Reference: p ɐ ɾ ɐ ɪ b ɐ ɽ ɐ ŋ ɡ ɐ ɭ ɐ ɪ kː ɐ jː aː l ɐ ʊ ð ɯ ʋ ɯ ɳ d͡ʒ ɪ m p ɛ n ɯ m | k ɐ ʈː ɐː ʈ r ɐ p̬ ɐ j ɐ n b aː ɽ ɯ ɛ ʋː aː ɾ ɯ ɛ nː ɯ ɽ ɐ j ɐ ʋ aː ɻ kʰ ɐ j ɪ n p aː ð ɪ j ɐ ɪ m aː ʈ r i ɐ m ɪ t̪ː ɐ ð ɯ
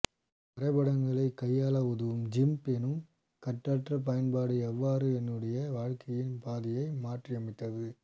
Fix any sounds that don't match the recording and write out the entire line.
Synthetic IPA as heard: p ɐ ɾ ɐ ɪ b ɐ ɽ ɐ ŋ ɡ ɐ ɭ ɐ ɪ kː ɐ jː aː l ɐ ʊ ð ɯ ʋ ɯ m d͡ʒ ɪ m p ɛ n ɯ m | k ɐ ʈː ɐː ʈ r ɐ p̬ ɐ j ɐ n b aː ɽ ɯ ɛ ʋː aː ɾ ɯ ɛ nː ɯ ɽ ɐ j ɐ ʋ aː ɻ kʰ ɐ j ɪ n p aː ð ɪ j ɐ ɪ m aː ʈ r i ɐ m ɪ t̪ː ɐ ð ɯ

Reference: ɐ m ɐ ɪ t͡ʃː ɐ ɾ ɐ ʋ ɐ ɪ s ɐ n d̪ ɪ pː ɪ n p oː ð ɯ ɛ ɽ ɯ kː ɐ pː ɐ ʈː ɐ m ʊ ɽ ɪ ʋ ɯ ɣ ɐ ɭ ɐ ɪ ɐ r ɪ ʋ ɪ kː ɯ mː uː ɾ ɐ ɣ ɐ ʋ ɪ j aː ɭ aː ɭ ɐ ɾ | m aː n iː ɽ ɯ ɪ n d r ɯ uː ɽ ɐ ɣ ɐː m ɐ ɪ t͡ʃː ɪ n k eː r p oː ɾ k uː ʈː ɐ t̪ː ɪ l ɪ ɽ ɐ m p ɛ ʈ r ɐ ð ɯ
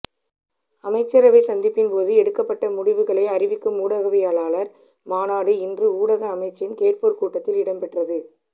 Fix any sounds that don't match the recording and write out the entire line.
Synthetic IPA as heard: ɐ m ɐ ɪ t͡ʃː ɐ ɾ ɐ ʋ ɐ ɪ s ɐ n d̪ ɪ pː ɪ n p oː ð ɯ ɛ ɽ ɯ kː ɐ pː ɐ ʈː ɐ m ʊ ɽ ɪ ʋ ɯ ɣ ɐ ɭ ɐ ɪ ɐ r ɪ ʋ ɪ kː ɯ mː uː ɽ ɐ ɣ ɐ ʋ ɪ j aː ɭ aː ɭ ɐ ɾ | m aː n aː ɽ ɯ ɪ n d r ɯ uː ɽ ɐ ɣ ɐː m ɐ ɪ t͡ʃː ɪ n k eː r p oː ɾ k uː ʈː ɐ t̪ː ɪ l ɪ ɽ ɐ m p ɛ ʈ r ɐ ð ɯ

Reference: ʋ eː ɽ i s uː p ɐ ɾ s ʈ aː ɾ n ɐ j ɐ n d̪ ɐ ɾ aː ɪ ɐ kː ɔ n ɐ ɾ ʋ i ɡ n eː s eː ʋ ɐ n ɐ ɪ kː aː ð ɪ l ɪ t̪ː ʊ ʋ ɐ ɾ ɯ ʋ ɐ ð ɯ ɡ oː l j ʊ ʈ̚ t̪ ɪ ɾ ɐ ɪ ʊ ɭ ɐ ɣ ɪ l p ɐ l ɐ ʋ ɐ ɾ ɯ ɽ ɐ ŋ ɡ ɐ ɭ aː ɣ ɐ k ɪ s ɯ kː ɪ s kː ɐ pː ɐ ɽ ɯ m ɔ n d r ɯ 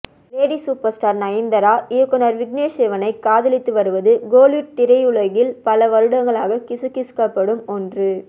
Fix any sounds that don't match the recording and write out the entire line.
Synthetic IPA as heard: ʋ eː ɽ i s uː p ɐ ɾ s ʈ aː ɾ n ɐ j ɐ n d̪ ɐ ɾ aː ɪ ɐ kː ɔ n ɐ ɾ ʋ ɪ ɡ n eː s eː ʋ ɐ n ɐ ɪ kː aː ð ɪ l ɪ t̪ː ɯ ʋ ɐ ɾ ɯ ʋ ɐ ð ɯ ɡ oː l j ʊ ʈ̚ t̪ ɪ ɾ ɐ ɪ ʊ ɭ ɐ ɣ ɪ l p ɐ l ɐ ʋ ɐ ɾ ɯ ɽ ɐ ŋ ɡ ɐ ɭ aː ɣ ɐ k ɪ s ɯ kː ɪ s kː ɐ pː ɐ ɽ ɯ m ɔ n d r ɯ

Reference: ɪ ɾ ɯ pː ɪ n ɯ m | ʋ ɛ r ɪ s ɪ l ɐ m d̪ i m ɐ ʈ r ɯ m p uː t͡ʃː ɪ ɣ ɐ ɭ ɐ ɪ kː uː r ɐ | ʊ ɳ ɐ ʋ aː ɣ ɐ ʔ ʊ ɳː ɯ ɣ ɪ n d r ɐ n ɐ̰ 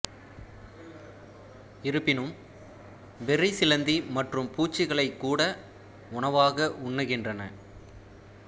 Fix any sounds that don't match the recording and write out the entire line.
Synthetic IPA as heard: ɪ ɾ ɯ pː ɪ n ɯ m | ʋ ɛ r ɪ s ɪ l ɐ n d̪ i m ɐ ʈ r ɯ m p uː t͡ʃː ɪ ɣ ɐ ɭ ɐ ɪ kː uː ɽ ɐ | ʊ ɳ ɐ ʋ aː ɣ ɐ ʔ ʊ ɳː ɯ ɣ ɪ n d r ɐ n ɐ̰

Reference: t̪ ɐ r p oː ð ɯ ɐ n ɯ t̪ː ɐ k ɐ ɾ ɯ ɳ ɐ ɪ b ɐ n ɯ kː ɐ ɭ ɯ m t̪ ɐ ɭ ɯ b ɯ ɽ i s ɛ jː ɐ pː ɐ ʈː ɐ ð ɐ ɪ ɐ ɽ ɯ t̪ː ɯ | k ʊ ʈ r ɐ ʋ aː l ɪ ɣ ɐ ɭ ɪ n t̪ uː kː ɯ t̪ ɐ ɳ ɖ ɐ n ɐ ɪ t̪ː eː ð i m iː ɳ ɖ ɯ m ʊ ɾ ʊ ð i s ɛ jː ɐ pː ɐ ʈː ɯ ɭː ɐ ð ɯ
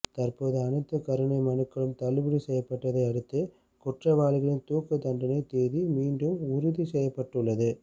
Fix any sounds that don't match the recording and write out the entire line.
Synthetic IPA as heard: t̪ ɐ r p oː ð ɯ ɐ n ɯ t̪ː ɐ k ɐ ɾ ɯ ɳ ɐ ɪ m ɐ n ɯ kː ɐ ɭ ɯ m t̪ ɐ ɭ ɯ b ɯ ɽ i s ɛ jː ɐ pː ɐ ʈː ɐ ð ɐ ɪ ɐ ɽ ɯ t̪ː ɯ | k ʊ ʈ r ɐ ʋ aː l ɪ ɣ ɐ ɭ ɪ n t̪ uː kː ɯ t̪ ɐ ɳ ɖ ɐ n ɐ ɪ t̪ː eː ð i m iː ɳ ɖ ɯ m ʊ ɾ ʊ ð i s ɛ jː ɐ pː ɐ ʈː ɯ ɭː ɐ ð ɯ

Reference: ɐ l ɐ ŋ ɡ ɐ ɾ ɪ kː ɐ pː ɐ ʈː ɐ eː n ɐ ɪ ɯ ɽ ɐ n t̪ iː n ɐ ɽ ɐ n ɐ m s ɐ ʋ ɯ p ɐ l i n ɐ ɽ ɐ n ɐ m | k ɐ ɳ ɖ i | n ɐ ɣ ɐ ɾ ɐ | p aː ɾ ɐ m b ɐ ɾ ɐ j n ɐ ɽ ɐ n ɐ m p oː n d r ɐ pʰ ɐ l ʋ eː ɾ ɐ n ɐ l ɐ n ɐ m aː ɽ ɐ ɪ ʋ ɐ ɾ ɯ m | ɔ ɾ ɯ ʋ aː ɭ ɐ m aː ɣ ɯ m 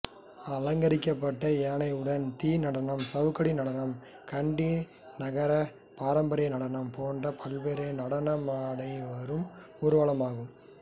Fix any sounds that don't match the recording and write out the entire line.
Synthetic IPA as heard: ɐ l ɐ ŋ ɡ ɐ ɾ ɪ kː ɐ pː ɐ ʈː ɐ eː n ɐ ɪ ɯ ɽ ɐ n t̪ iː n ɐ ɽ ɐ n ɐ m s ɐ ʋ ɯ k ɐ ɽ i n ɐ ɽ ɐ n ɐ m | k ɐ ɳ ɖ i | n ɐ ɣ ɐ ɾ ɐ | p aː ɾ ɐ m b ɐ ɾ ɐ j n ɐ ɽ ɐ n ɐ m p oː n d r ɐ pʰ ɐ l ʋ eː ɾ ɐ n ɐ ɽ ɐ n ɐ m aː ɽ ɐ ɪ ʋ ɐ ɾ ɯ m | ɔ ɾ ɯ ʋ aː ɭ ɐ m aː ɣ ɯ m

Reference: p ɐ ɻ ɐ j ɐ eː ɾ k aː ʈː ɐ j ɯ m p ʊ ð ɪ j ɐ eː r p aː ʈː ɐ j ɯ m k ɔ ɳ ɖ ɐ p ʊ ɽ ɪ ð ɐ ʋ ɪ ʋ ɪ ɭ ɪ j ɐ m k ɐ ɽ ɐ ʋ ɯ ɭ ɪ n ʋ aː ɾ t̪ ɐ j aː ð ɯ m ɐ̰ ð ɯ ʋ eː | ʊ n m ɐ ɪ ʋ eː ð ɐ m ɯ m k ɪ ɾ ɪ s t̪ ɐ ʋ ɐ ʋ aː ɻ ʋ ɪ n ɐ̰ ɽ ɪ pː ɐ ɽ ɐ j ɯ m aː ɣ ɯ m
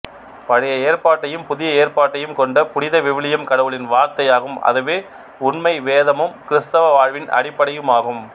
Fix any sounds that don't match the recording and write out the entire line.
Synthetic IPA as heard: p ɐ ɻ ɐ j ɐ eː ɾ p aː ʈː ɐ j ɯ m p ʊ ð ɪ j ɐ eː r p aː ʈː ɐ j ɯ m k ɔ ɳ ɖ ɐ p ʊ ɽ ɪ ð ɐ ʋ ɪ ʋ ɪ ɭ ɪ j ɐ m k ɐ ɽ ɐ ʋ ɯ ɭ ɪ n ʋ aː ɾ t̪ ɐ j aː ɣ ɯ m ɐ̰ ð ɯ ʋ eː | ʊ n m ɐ ɪ ʋ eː ð ɐ m ɯ m k ɪ ɾ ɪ s t̪ ɐ ʋ ɐ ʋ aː ɻ ʋ ɪ n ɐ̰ ɽ ɪ pː ɐ ɽ ɐ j ɯ m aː ɣ ɯ m

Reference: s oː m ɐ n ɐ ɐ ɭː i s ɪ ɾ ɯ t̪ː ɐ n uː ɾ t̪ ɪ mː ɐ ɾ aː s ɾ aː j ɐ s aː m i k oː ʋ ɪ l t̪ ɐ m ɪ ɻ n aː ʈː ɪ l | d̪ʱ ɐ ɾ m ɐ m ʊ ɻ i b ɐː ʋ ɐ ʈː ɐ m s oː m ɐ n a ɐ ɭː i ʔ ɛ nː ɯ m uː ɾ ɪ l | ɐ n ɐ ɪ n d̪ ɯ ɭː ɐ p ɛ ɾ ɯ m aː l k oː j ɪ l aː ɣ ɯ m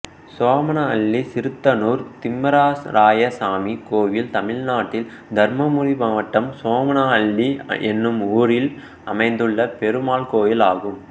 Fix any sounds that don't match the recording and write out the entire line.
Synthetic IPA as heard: s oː m ɐ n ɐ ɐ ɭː i s ɪ ɾ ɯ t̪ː ɐ n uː ɾ t̪ ɪ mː ɐ ɾ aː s ɾ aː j ɐ s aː m i k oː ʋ ɪ l t̪ ɐ m ɪ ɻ n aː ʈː ɪ l | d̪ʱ ɐ ɾ m ɐ m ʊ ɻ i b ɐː ʋ ɐ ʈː ɐ m s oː m ɐ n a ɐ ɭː i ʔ ɛ nː ɯ m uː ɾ ɪ l | ɐ m ɐ ɪ n d̪ ɯ ɭː ɐ p ɛ ɾ ɯ m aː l k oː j ɪ l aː ɣ ɯ m

